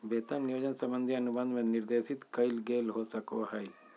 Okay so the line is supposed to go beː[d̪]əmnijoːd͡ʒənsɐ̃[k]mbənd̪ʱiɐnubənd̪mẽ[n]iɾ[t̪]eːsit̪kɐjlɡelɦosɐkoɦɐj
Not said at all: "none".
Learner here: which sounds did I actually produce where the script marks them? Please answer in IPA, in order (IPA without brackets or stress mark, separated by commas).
t̪, none, n, d̪